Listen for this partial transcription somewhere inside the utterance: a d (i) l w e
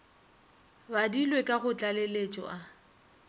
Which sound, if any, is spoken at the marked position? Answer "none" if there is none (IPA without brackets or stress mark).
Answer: i